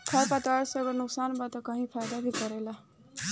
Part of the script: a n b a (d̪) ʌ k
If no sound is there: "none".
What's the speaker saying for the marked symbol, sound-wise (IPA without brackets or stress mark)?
t̪